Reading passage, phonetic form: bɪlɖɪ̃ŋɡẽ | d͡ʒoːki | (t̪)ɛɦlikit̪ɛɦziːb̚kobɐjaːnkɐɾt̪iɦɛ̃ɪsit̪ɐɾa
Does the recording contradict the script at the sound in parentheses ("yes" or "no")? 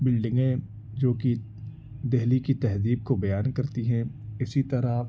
yes